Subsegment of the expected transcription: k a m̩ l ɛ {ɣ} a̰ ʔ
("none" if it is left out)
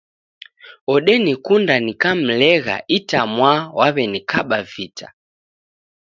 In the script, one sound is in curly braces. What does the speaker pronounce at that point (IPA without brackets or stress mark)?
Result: ɣ